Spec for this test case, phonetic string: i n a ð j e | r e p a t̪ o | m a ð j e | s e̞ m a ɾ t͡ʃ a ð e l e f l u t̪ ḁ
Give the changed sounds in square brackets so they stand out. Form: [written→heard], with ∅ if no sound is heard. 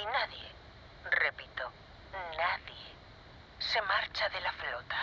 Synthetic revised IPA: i n a ð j e | r e p [a→i] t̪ o | [m→n] a ð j e | s e̞ m a ɾ t͡ʃ a ð e l [e→a] f l [u→o] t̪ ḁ